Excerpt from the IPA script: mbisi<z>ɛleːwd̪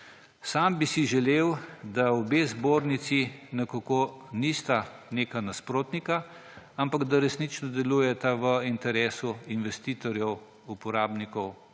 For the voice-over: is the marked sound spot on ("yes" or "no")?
no